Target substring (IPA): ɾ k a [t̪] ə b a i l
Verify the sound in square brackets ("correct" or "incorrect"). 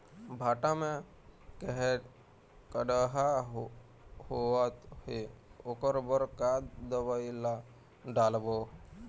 incorrect